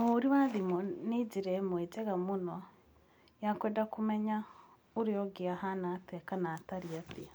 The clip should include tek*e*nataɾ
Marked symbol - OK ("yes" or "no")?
no